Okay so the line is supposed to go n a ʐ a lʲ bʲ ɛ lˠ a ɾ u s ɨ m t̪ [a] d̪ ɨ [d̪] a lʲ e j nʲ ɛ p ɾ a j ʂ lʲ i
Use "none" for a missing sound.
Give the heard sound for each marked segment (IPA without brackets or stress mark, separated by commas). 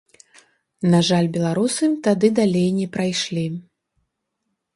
a, d̪